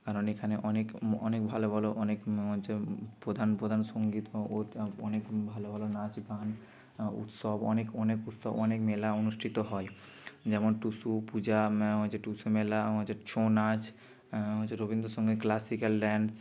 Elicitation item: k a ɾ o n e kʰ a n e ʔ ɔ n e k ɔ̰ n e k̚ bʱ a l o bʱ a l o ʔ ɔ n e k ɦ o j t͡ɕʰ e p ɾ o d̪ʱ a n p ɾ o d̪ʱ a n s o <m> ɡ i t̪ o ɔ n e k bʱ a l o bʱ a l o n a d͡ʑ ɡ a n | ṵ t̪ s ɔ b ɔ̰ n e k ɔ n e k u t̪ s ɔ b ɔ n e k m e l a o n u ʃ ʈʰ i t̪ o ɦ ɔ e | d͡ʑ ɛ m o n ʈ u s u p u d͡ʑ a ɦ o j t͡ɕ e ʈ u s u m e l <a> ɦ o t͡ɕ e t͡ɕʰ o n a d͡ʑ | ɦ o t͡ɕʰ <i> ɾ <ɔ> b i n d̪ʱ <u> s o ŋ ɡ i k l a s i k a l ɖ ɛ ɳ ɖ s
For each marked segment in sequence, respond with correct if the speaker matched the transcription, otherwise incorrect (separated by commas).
incorrect, correct, incorrect, incorrect, incorrect